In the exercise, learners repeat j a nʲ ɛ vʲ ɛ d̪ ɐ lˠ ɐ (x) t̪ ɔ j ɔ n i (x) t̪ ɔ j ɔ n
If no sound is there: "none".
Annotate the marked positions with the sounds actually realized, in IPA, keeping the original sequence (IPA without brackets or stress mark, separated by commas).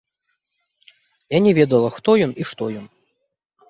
x, ʂ